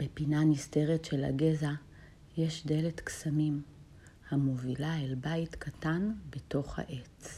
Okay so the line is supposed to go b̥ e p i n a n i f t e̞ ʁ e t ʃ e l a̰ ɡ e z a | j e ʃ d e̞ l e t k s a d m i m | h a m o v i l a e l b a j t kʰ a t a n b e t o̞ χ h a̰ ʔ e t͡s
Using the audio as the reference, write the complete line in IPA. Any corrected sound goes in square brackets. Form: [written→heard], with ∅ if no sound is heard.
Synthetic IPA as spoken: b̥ e p i n a n i [f→s] t e̞ ʁ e t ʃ e l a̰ ɡ e z a | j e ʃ d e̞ l e t k s a [d→∅] m i m | h a m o v i l a e l b a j t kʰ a t a n b e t o̞ χ h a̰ ʔ e t͡s